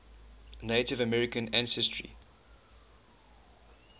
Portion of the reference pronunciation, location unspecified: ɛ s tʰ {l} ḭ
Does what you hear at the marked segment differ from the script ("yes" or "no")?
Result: yes